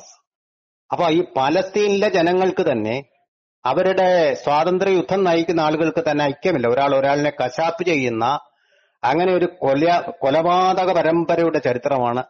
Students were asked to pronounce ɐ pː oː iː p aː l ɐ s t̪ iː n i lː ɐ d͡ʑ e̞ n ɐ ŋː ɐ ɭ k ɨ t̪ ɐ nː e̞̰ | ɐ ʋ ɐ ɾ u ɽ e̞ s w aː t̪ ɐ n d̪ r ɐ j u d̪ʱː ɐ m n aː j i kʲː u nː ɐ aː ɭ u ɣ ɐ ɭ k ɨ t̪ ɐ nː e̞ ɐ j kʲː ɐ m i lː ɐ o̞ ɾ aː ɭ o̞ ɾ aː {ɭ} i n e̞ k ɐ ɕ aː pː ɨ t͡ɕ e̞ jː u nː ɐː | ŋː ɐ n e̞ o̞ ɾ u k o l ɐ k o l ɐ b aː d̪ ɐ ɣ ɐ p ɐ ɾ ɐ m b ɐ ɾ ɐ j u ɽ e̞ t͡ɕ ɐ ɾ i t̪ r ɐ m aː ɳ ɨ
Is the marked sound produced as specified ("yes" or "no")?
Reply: yes